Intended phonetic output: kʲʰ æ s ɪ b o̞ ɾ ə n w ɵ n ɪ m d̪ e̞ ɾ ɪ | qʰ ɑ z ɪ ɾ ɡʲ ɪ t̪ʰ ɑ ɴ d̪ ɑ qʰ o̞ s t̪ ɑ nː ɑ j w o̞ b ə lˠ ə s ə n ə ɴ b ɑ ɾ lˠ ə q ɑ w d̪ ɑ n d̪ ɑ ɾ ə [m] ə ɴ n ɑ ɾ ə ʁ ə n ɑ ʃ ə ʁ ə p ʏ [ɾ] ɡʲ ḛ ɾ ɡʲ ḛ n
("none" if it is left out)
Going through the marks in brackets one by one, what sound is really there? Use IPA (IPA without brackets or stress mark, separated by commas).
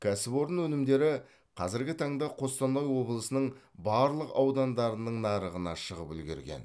n, l